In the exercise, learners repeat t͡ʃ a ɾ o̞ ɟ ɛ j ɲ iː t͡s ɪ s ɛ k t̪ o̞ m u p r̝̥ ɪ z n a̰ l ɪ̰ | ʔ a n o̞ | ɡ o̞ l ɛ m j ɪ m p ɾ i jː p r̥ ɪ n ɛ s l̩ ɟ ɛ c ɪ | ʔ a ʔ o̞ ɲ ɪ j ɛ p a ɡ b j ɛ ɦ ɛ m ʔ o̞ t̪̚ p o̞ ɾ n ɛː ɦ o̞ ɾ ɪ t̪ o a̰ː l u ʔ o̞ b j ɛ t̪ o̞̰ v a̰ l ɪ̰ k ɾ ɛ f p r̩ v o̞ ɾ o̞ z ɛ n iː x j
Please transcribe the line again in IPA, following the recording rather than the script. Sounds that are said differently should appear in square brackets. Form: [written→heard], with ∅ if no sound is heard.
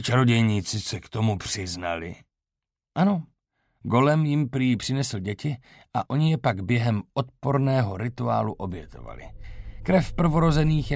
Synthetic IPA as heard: t͡ʃ a ɾ o̞ ɟ ɛ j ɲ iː t͡s ɪ s ɛ k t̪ o̞ m u p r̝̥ ɪ z n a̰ l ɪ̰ | ʔ a n o̞ | ɡ o̞ l ɛ m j ɪ m p ɾ i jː p r̥ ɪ n ɛ s l̩ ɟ ɛ c ɪ | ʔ a ʔ o̞ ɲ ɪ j ɛ p a ɡ b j ɛ ɦ ɛ m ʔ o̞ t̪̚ p o̞ ɾ n ɛː ɦ o̞ ɾ ɪ t̪ [o→u] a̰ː l u ʔ o̞ b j ɛ t̪ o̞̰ v a̰ l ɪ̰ k ɾ ɛ f p r̩ v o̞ ɾ o̞ z ɛ n iː x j